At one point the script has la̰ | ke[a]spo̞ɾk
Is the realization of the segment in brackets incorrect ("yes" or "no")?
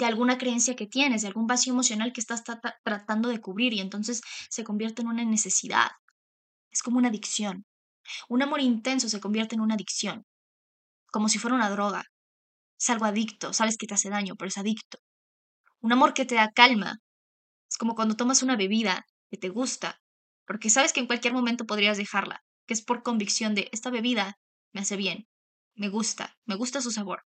yes